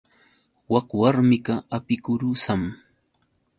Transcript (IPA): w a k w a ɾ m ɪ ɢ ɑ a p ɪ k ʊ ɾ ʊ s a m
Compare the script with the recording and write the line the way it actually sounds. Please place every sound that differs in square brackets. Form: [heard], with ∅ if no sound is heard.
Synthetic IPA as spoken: w a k w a ɾ m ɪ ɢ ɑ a p ɪ k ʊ ɾ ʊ s a m